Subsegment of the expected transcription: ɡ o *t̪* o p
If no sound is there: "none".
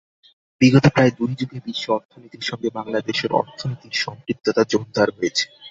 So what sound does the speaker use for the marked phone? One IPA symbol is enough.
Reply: t̪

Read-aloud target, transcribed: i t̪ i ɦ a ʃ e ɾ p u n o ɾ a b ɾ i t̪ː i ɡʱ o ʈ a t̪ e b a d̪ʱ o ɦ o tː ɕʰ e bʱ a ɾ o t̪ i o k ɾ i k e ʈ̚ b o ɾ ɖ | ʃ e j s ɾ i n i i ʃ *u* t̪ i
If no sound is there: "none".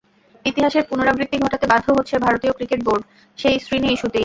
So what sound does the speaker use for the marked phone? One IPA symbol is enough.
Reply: u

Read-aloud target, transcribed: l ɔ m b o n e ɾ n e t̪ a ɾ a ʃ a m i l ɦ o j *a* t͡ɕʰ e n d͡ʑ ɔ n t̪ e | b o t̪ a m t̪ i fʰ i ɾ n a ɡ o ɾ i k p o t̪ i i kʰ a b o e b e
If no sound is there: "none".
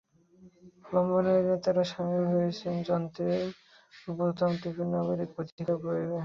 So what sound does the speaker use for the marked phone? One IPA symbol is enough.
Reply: e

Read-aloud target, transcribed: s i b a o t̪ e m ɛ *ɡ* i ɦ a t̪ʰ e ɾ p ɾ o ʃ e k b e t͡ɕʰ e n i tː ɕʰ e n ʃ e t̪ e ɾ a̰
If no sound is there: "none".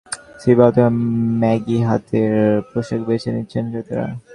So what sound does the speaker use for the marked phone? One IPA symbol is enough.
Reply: ɡ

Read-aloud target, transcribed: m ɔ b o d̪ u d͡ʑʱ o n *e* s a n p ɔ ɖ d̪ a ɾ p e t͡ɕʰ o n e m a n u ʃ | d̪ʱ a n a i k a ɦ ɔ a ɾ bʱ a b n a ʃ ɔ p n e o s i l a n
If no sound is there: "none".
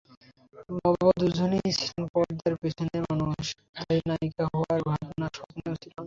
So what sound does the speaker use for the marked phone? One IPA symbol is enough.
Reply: i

